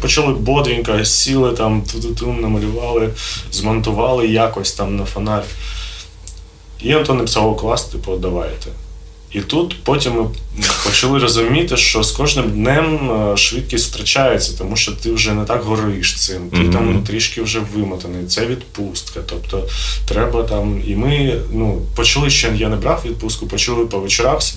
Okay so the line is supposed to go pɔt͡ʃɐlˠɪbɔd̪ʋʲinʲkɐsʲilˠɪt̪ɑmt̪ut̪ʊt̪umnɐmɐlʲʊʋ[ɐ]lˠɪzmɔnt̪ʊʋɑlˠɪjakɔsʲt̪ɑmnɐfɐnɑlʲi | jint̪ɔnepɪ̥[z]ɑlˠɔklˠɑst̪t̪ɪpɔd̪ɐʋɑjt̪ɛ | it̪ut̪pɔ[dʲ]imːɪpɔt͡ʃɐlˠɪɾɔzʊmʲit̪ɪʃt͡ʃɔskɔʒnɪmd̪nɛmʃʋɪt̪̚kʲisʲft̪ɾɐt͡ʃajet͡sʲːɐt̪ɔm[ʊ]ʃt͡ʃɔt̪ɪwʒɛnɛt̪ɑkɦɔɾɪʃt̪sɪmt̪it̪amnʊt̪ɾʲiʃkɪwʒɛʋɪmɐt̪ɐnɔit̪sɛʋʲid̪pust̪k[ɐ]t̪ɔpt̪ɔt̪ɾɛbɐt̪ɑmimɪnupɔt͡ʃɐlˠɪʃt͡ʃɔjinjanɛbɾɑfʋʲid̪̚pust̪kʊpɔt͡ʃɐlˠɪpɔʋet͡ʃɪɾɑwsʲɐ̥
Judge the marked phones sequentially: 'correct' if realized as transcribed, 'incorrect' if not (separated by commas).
incorrect, incorrect, incorrect, incorrect, correct